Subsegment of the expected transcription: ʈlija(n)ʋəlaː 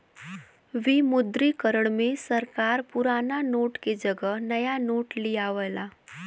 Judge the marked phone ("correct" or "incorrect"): incorrect